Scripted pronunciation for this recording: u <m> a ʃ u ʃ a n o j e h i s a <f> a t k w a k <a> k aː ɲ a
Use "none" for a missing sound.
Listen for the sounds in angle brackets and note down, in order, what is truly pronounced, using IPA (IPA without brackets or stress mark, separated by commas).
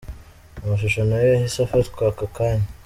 m, f, a